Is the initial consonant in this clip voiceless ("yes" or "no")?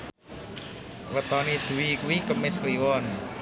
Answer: no